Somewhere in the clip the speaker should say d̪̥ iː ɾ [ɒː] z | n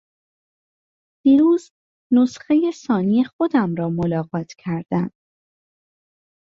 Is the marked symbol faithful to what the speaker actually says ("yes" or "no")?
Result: no